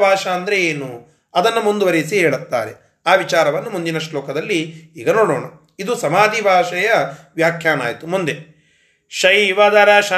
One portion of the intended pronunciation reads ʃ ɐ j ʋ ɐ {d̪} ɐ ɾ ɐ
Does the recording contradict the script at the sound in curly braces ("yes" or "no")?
no